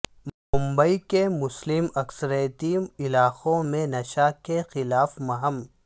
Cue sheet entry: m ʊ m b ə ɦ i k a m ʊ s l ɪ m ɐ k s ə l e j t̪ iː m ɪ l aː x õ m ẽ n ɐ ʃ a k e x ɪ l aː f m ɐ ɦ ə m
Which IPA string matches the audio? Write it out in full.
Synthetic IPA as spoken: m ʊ m b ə i k e m ʊ s l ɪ m ɐ k s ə ɾ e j t̪ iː m ɪ l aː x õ m ẽ n ɐ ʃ a k e x ɪ l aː f m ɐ ɦ ə m